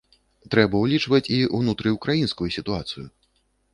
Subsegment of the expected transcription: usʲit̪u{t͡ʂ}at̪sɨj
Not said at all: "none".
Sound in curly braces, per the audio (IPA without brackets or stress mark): none